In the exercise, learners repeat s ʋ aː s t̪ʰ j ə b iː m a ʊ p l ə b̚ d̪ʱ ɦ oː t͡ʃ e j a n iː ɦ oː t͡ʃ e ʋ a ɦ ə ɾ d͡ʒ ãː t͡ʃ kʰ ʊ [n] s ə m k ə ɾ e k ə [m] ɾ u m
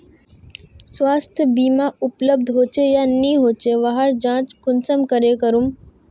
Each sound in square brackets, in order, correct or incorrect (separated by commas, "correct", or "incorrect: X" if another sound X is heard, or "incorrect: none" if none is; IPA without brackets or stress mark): correct, incorrect: none